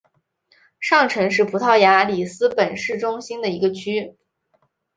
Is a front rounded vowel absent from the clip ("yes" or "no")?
no